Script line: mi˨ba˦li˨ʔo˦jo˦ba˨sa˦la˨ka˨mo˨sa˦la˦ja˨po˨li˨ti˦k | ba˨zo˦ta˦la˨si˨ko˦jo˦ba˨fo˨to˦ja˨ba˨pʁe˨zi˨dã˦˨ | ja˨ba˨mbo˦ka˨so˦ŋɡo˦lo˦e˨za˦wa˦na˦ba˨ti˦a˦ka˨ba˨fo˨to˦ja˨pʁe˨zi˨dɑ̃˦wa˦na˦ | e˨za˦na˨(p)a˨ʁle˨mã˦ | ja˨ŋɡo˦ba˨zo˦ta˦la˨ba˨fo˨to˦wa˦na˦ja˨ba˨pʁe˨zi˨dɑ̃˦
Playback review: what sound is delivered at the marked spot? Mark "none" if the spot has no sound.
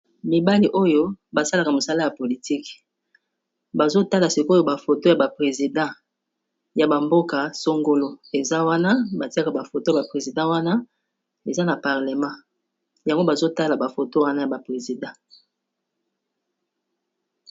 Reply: p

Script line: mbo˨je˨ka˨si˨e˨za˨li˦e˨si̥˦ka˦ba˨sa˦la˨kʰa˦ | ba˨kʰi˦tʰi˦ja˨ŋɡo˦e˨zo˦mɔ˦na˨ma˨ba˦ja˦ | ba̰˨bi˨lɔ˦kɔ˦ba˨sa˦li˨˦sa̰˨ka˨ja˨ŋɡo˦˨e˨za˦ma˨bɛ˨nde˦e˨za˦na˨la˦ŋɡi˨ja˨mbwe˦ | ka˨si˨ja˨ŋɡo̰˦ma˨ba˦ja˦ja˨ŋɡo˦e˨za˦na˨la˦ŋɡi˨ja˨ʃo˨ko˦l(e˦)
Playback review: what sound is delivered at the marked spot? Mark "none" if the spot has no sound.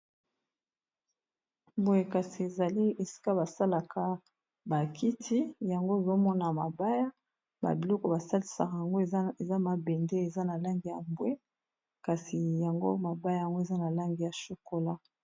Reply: a˦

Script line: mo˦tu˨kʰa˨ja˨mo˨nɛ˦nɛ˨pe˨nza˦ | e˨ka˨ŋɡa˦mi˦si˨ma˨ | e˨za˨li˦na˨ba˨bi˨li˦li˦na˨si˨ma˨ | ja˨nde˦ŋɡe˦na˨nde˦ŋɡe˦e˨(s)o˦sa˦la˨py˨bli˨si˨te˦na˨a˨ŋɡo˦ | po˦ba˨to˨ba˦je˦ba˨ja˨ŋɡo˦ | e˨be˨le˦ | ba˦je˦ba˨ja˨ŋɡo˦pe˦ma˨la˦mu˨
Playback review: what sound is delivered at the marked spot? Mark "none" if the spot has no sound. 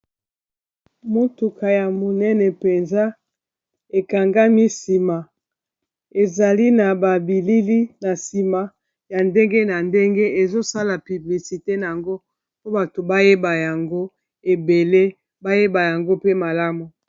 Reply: z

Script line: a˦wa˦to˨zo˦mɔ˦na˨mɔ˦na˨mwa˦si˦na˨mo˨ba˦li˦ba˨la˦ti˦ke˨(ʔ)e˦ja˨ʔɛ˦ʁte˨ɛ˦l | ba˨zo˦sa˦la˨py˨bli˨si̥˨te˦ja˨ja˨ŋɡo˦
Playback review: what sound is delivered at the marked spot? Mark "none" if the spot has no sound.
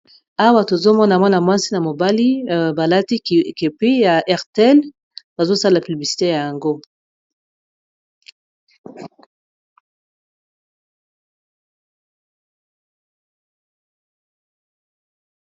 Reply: p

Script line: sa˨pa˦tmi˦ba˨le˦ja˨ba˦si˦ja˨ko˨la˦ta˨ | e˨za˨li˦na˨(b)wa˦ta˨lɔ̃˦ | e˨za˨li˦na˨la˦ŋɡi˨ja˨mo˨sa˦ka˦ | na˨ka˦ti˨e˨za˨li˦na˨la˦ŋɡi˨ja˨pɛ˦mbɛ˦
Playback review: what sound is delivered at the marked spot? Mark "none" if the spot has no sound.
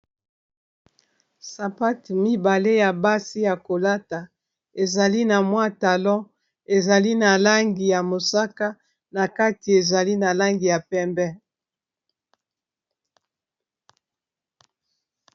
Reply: m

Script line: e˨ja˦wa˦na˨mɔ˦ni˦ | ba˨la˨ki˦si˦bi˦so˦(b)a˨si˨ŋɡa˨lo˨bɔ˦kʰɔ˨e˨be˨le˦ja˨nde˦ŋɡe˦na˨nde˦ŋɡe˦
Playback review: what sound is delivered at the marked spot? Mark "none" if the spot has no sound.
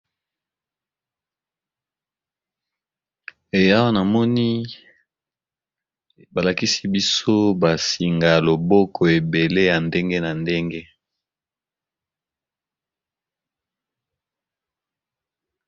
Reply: b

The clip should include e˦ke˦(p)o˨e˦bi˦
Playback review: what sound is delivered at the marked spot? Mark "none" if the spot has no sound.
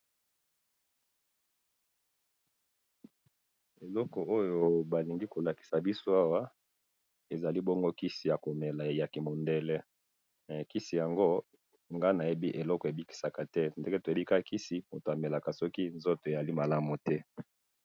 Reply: t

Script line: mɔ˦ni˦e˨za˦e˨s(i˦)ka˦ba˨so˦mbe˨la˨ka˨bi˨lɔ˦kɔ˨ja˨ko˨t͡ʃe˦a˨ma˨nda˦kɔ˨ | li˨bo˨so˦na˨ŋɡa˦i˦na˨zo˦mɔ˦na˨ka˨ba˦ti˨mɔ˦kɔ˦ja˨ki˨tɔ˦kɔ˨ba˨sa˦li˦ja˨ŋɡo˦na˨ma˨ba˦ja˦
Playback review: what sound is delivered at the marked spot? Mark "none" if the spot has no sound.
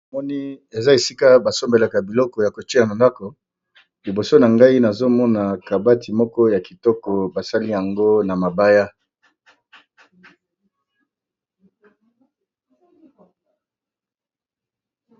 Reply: i˦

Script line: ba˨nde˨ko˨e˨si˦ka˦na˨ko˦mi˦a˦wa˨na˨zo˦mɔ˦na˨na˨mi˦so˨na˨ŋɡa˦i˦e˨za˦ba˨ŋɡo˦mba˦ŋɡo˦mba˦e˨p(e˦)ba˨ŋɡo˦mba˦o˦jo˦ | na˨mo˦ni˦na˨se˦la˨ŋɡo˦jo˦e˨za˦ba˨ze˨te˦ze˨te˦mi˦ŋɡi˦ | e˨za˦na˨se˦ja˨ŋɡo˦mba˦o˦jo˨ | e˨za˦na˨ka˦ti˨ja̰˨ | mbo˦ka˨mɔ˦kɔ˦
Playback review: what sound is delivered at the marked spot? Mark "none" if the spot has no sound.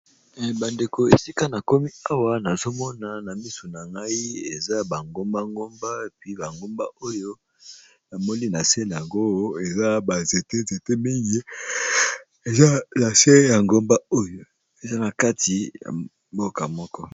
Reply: i˦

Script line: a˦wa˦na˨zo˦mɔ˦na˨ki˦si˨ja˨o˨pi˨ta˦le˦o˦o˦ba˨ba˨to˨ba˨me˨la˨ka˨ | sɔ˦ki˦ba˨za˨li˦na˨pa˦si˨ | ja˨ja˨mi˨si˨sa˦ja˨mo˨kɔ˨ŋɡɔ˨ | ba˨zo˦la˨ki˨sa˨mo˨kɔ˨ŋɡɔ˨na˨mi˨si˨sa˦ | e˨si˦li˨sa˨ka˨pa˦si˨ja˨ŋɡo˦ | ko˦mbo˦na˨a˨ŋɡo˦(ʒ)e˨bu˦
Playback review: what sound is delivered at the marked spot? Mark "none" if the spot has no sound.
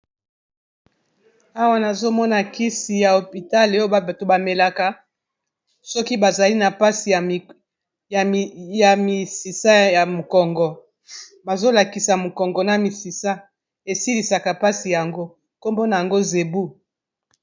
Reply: z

